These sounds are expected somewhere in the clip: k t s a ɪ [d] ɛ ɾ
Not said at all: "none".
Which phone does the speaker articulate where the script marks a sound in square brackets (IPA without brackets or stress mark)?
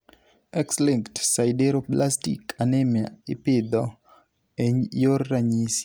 d